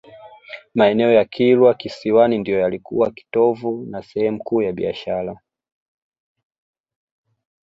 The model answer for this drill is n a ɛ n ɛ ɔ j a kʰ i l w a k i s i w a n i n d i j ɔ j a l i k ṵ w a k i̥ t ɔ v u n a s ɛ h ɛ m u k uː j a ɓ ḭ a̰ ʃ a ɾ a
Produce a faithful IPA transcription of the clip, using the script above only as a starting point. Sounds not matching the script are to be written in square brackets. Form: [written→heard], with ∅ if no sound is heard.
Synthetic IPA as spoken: [n→m] a ɛ n ɛ ɔ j a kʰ i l w a k i s i w a n i n d i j ɔ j a l i k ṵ w a k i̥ t ɔ v u n a s ɛ h ɛ m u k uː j a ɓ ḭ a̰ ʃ a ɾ a